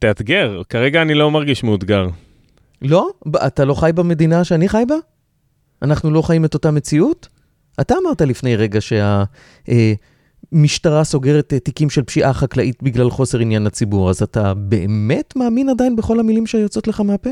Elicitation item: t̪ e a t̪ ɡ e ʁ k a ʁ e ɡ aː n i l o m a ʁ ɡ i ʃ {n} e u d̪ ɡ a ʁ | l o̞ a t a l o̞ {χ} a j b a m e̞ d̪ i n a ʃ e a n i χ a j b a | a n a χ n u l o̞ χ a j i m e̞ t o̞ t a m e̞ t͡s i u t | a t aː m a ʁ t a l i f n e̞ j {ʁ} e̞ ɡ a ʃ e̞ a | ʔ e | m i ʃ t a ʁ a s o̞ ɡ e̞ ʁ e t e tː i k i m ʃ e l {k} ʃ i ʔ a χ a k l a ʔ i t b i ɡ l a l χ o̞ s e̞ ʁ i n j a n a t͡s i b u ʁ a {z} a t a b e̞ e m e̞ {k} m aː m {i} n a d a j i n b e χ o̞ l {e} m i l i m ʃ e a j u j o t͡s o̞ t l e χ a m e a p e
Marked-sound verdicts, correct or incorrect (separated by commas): incorrect, correct, correct, incorrect, correct, incorrect, correct, incorrect